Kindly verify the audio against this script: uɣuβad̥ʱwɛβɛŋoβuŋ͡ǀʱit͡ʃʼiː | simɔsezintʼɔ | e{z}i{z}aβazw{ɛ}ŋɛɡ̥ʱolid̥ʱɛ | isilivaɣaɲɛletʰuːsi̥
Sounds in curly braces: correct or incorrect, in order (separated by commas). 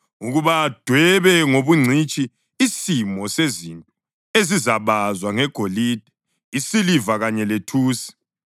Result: correct, correct, incorrect